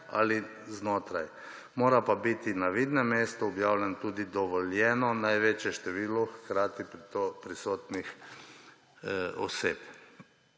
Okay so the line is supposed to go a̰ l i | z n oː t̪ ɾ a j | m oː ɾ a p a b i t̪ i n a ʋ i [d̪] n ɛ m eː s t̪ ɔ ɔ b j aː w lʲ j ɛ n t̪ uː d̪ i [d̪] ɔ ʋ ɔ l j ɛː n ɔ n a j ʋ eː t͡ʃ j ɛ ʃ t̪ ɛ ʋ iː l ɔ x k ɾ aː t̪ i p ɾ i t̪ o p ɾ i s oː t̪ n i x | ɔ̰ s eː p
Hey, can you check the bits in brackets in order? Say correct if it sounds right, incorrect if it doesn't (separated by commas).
correct, correct